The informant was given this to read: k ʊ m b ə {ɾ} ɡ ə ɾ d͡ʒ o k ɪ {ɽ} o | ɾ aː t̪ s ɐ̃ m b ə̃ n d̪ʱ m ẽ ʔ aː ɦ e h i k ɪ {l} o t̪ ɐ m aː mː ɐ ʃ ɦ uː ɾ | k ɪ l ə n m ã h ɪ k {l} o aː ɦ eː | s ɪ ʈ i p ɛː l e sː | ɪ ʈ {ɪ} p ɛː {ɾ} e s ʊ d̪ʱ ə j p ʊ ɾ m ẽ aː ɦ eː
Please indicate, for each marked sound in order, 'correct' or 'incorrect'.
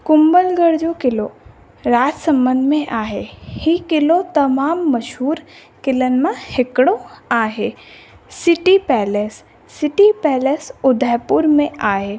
incorrect: l, incorrect: l, correct, incorrect: ɽ, incorrect: i, incorrect: l

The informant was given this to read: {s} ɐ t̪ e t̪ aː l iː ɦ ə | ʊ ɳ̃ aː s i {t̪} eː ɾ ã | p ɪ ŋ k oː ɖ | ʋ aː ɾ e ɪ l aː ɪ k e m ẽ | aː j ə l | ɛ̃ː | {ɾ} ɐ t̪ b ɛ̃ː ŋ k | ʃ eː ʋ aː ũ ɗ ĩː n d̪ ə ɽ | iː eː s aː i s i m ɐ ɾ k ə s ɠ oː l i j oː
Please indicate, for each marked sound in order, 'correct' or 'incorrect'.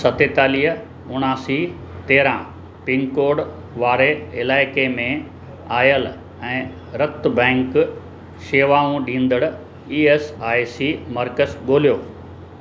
correct, correct, correct

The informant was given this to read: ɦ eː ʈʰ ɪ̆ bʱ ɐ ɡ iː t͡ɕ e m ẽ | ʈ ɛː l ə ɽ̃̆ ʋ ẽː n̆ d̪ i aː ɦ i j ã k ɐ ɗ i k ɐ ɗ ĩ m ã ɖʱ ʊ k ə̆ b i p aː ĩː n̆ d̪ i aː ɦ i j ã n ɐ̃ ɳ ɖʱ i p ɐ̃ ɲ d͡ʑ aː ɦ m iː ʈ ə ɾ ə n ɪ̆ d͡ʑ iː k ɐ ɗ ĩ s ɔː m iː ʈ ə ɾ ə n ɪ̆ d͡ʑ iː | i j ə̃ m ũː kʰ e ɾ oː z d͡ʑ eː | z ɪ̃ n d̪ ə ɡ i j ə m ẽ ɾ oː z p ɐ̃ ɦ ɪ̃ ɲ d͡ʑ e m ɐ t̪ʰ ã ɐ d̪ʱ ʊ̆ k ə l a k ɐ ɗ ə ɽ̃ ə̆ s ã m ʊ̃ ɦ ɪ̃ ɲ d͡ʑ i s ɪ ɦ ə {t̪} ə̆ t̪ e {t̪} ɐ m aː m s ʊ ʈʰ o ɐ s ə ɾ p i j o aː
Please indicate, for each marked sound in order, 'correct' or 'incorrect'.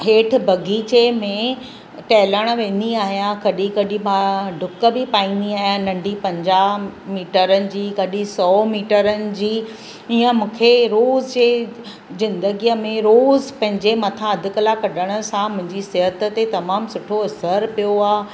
correct, correct

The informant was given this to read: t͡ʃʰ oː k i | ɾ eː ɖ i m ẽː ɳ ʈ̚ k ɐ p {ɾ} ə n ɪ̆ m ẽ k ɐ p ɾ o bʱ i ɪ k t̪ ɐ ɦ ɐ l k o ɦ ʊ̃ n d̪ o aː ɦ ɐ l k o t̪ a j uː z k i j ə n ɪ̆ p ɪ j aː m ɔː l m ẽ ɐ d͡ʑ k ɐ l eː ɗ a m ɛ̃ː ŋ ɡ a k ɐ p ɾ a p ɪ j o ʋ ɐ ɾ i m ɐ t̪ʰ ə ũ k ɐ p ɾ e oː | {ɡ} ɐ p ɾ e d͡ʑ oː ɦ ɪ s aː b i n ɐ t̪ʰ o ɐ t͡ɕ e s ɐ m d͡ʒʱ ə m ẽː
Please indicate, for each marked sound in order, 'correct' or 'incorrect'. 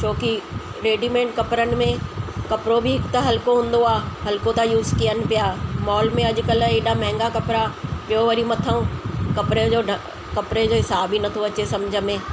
correct, incorrect: k

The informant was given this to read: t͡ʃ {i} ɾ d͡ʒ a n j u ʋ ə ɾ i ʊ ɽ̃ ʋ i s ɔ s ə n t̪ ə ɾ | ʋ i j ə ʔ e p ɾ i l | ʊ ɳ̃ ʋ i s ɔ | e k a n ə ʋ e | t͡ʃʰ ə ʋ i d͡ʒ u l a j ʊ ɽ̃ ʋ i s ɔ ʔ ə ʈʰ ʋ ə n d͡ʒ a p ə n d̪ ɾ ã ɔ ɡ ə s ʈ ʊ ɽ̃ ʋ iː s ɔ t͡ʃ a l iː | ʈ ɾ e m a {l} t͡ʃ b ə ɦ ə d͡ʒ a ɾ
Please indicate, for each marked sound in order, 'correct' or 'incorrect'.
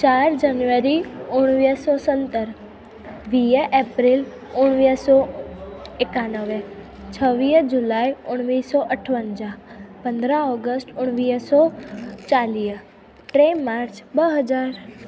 incorrect: a, incorrect: ɾ

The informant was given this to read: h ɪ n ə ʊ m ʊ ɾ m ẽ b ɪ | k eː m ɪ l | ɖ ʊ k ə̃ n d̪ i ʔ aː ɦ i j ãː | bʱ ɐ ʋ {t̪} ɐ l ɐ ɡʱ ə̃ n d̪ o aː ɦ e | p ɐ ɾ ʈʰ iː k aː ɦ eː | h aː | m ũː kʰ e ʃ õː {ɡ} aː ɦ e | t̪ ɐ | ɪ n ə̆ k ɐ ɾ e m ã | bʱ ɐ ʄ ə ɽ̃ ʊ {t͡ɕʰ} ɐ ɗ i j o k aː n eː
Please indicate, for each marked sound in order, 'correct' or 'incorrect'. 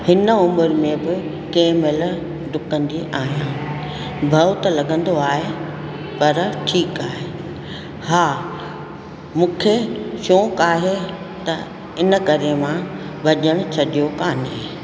correct, incorrect: k, correct

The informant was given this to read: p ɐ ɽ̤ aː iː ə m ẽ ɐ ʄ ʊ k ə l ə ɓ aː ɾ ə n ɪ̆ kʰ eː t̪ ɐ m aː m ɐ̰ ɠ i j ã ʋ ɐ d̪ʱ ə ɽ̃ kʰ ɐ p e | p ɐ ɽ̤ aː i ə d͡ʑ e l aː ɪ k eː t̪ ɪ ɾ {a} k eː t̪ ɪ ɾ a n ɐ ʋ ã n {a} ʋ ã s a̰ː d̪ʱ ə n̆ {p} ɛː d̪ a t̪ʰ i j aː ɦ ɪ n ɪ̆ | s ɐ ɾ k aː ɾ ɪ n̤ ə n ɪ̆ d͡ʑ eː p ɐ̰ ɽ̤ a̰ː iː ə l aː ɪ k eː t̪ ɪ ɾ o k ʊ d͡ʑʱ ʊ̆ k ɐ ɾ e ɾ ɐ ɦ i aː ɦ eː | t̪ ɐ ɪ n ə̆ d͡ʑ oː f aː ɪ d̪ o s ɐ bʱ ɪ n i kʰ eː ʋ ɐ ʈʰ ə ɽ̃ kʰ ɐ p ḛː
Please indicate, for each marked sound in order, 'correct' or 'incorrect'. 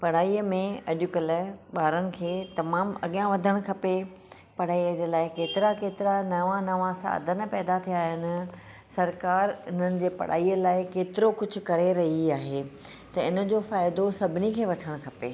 correct, incorrect: ɐ, correct

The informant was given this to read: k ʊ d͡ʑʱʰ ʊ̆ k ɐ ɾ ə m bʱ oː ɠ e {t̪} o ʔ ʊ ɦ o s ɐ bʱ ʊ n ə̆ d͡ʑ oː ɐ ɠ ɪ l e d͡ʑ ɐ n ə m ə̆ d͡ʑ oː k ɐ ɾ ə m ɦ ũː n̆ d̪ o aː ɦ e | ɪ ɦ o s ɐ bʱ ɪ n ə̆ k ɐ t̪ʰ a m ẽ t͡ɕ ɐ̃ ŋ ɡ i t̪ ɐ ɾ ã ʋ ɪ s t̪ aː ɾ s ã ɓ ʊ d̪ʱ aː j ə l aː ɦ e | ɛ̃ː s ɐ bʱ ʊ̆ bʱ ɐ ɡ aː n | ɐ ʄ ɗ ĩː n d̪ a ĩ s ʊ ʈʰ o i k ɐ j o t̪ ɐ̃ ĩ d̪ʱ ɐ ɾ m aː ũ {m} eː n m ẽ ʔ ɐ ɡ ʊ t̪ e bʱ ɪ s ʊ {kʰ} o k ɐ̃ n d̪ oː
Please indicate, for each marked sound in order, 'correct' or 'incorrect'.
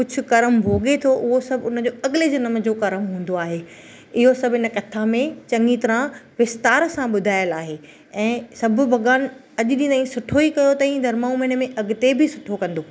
incorrect: t̪ʰ, correct, incorrect: ʈʰ

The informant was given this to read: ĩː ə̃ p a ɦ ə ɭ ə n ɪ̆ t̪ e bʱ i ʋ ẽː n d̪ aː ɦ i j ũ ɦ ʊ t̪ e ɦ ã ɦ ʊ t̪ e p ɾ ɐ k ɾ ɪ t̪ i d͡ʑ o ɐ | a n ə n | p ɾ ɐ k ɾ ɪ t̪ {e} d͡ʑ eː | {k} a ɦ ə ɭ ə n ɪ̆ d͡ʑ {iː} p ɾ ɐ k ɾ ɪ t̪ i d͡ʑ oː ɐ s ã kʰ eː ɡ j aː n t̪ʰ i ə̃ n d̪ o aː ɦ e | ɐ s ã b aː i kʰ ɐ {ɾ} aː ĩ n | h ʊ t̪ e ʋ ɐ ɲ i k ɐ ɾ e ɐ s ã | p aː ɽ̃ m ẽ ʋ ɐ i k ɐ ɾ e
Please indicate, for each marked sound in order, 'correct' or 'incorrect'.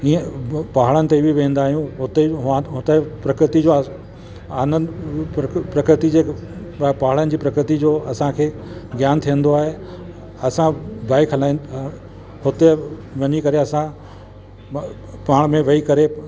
incorrect: i, incorrect: p, correct, incorrect: l

